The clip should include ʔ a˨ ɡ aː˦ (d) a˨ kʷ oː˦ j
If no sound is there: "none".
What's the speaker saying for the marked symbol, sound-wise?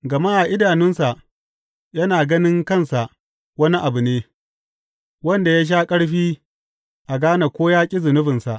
n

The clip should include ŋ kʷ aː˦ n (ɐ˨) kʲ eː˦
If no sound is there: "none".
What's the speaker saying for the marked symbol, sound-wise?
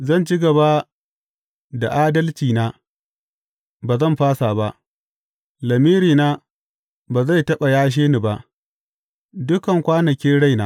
ɐ˨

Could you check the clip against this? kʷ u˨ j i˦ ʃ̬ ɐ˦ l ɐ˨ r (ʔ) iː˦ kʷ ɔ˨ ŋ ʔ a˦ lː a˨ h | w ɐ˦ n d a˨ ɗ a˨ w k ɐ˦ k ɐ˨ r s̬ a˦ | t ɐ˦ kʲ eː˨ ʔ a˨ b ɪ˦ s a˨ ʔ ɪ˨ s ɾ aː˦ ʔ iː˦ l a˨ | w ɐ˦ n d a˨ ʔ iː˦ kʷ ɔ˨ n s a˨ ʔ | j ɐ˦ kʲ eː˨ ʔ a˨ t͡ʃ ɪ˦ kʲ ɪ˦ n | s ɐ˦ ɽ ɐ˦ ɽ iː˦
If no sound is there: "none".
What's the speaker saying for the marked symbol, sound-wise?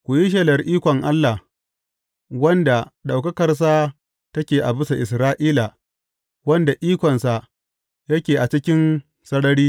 ʔ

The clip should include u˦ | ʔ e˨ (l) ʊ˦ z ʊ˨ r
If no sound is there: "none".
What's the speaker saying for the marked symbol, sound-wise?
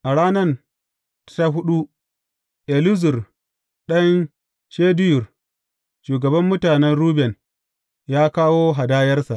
l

